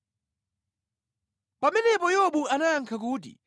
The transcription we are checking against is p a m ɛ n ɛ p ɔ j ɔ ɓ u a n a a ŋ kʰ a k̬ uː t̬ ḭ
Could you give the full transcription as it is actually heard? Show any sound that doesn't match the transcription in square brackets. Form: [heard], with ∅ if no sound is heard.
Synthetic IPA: p a m ɛ n ɛ p ɔ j ɔ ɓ u a n a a ŋ kʰ a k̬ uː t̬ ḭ